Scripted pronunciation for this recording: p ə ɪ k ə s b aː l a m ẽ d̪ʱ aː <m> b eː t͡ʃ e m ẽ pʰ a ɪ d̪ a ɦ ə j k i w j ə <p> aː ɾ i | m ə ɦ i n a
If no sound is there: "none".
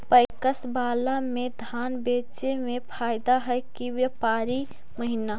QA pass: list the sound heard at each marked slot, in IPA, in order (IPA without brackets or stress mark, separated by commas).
n, p